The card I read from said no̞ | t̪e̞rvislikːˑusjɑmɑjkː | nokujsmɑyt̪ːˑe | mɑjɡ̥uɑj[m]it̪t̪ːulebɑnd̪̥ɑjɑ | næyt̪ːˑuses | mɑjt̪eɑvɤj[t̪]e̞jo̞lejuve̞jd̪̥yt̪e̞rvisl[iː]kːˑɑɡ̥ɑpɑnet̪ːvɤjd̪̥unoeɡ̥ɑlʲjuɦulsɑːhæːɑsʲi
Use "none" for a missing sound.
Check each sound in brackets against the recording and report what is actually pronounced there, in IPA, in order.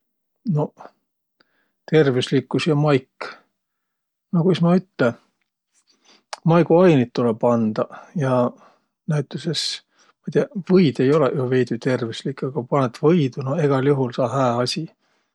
n, d̪, i

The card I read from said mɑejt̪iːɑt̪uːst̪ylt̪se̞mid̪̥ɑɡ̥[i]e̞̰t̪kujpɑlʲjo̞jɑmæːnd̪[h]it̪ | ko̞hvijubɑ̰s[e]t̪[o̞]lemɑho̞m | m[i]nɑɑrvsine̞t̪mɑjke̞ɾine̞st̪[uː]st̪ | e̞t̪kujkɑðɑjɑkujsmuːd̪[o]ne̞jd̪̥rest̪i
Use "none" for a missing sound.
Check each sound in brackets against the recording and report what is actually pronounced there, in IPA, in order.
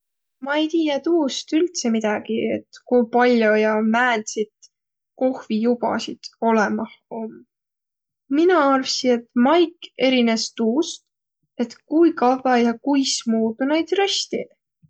i, s, i, o̞, i, uː, u

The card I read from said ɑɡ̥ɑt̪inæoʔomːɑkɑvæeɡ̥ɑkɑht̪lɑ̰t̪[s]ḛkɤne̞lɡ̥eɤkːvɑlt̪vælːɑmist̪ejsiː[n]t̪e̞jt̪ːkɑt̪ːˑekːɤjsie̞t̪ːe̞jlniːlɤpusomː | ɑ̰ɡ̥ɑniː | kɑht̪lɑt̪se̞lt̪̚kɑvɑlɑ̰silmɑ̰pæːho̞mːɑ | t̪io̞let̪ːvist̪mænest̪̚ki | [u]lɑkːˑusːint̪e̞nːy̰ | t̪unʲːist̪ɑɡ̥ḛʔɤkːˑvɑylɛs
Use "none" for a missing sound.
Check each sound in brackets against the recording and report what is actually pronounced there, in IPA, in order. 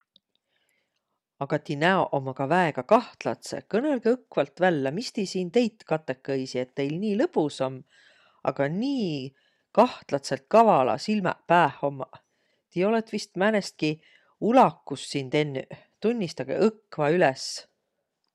s, n, u

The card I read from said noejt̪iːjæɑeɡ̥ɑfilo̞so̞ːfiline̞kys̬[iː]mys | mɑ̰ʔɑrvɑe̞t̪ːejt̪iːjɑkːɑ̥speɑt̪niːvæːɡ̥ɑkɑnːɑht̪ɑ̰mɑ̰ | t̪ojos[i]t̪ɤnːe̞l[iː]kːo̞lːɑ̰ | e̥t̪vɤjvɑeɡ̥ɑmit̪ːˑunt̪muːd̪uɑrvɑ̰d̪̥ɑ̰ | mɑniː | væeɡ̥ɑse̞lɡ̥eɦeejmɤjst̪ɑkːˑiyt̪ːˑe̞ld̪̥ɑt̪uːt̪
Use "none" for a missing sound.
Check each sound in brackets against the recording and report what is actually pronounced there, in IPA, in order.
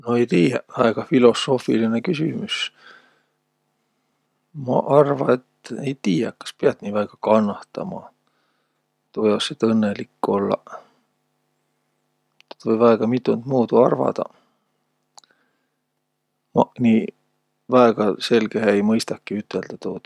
i, e, i

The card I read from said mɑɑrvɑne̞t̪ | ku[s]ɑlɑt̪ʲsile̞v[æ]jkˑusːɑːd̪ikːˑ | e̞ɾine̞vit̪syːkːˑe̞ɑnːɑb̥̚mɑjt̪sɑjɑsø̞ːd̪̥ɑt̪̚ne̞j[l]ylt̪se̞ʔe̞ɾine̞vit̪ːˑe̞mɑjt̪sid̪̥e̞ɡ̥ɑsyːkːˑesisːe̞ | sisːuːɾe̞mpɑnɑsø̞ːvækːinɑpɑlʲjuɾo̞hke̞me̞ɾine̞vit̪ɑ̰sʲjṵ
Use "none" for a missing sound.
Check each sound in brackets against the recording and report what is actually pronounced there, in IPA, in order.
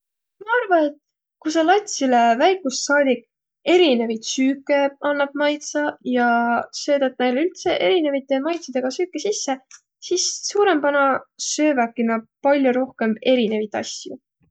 s, æ, l

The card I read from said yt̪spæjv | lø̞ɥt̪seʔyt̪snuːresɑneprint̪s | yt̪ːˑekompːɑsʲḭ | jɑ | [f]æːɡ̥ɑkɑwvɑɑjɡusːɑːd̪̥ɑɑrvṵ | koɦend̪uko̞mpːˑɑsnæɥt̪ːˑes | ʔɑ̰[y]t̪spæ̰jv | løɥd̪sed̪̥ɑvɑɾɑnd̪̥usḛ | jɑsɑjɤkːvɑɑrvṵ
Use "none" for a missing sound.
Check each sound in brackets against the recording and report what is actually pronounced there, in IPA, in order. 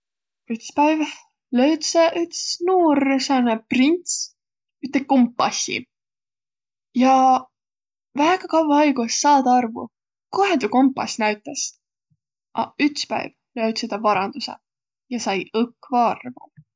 v, y

